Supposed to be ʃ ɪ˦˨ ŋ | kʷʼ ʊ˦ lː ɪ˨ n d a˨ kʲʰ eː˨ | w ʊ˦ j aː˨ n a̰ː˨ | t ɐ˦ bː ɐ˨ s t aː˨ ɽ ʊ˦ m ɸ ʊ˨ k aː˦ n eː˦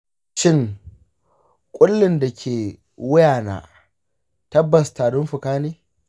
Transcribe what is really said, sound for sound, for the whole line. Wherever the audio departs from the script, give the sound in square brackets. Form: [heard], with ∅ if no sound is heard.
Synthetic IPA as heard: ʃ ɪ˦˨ ŋ | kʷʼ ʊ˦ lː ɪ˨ n d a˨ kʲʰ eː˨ | w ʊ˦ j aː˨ n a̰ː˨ | t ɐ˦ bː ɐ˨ s t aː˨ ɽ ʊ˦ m ɸ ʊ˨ k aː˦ n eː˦